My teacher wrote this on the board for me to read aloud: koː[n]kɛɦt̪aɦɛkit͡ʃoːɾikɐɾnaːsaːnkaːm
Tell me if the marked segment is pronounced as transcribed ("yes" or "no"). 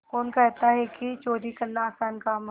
yes